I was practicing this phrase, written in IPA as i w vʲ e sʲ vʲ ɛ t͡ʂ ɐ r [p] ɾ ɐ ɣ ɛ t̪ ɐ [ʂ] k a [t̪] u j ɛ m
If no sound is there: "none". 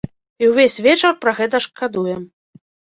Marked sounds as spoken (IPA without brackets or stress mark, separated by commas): p, ʂ, d̪